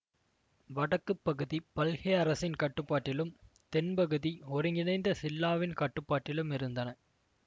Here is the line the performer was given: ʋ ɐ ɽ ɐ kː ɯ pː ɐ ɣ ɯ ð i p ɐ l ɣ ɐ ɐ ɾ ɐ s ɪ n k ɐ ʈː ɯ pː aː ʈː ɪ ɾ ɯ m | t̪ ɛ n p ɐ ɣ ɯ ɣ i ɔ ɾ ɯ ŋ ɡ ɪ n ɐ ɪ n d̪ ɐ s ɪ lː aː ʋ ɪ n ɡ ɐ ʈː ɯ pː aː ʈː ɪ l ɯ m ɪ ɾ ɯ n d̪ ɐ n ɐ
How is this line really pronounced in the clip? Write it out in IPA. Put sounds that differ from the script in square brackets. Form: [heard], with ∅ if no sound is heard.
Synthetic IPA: ʋ ɐ ɽ ɐ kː ɯ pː ɐ ɣ ɯ ð i p ɐ l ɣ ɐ ɐ ɾ ɐ s ɪ n k ɐ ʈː ɯ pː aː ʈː ɪ [l] ɯ m | t̪ ɛ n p ɐ ɣ ɯ [ð] i ɔ ɾ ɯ ŋ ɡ ɪ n ɐ ɪ n d̪ ɐ s ɪ lː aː ʋ ɪ n [k] ɐ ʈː ɯ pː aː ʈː ɪ l ɯ m ɪ ɾ ɯ n d̪ ɐ n ɐ